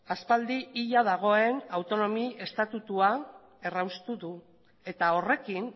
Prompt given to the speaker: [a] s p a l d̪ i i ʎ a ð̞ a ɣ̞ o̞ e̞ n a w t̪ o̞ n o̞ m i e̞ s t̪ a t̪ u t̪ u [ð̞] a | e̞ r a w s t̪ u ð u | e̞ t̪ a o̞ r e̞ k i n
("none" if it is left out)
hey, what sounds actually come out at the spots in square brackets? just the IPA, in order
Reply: a, none

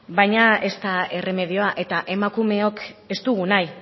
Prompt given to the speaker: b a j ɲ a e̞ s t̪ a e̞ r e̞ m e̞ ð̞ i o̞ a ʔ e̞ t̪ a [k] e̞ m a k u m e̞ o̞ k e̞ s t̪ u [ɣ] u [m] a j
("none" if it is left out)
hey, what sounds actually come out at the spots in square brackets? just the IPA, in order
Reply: ʔ, ɣ, n

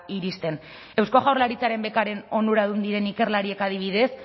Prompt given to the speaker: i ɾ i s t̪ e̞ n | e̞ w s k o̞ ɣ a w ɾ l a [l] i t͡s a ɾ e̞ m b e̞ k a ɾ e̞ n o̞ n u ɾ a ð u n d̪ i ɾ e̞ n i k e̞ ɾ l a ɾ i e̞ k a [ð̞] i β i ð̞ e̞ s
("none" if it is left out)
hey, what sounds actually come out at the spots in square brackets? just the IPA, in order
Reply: ɾ, ð̞

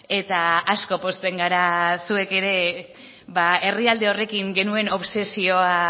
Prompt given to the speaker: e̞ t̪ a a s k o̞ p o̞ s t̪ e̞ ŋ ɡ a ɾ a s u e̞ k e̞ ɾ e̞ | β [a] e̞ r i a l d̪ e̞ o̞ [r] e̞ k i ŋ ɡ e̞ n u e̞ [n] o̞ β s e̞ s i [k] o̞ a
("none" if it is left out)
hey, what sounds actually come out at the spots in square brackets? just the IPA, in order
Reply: a, r, n, none

